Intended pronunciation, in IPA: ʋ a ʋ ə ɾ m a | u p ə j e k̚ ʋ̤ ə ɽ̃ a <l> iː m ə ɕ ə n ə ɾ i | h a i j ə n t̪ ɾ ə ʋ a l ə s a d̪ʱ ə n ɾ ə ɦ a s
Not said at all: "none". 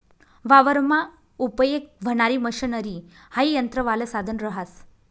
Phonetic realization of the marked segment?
ɾ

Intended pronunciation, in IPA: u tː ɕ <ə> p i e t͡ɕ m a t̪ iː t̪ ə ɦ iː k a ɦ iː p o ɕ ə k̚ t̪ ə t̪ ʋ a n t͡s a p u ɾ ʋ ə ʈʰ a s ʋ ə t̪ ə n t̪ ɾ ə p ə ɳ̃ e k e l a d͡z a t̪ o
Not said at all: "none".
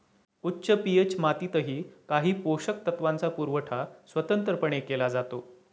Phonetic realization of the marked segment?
ə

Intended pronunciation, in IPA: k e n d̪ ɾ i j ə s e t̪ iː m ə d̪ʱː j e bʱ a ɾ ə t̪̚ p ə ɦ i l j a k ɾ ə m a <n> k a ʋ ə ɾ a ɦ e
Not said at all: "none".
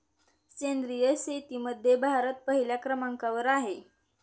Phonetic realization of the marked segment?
ŋ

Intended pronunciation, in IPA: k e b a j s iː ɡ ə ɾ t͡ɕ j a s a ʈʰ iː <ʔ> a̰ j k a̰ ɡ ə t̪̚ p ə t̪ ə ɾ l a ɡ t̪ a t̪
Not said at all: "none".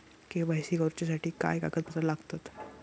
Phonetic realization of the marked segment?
k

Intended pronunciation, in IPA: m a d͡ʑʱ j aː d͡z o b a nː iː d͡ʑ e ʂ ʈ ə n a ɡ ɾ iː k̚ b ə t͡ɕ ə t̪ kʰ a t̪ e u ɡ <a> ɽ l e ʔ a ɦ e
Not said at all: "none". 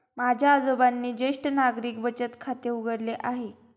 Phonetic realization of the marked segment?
ə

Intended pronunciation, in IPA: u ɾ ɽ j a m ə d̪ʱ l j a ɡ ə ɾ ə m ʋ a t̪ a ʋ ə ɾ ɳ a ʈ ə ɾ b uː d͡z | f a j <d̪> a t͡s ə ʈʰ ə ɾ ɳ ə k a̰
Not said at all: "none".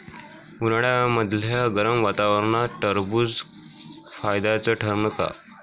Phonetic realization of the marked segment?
d̪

